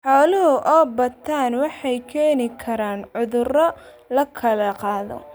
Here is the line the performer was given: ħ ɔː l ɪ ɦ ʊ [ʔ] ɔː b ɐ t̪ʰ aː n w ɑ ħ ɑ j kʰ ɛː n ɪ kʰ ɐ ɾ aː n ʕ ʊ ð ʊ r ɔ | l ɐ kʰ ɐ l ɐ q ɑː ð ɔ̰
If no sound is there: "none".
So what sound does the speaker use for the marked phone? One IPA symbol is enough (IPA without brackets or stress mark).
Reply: ʔ